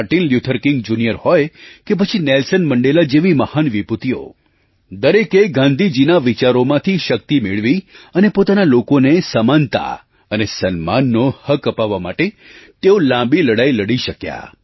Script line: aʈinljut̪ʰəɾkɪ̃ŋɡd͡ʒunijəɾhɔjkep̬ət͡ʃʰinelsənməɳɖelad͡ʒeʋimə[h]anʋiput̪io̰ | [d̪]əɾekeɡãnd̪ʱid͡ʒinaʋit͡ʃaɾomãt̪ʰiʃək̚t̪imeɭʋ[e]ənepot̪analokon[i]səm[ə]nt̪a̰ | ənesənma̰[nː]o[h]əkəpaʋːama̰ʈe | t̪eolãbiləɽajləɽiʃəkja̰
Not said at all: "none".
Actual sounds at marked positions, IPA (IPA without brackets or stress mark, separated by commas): h, d̪, i, e, a, nː, h